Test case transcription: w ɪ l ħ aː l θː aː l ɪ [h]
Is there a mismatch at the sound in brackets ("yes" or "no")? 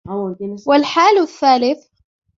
yes